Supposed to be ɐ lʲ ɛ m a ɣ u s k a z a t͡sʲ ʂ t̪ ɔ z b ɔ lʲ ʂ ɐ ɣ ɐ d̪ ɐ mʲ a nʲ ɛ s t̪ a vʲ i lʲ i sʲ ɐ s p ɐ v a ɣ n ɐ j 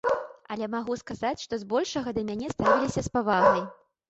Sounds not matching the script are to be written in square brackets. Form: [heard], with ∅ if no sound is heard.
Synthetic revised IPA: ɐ lʲ ɛ m a ɣ u s k a z a t͡sʲ ʂ t̪ ɔ z b ɔ lʲ ʂ ɐ ɣ ɐ d̪ ɐ mʲ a nʲ ɛ s t̪ a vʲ i lʲ i sʲ ɐ s p [a] v a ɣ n ɐ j